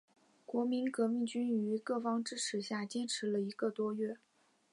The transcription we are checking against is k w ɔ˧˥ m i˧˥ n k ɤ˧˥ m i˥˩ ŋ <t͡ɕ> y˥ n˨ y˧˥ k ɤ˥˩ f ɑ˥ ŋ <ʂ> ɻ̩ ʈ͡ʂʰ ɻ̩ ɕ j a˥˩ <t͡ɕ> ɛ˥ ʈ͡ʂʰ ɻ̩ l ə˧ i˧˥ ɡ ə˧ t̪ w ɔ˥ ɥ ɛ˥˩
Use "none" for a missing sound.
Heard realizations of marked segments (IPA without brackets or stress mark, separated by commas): t͡ɕ, ʈ͡ʂ, t͡ɕ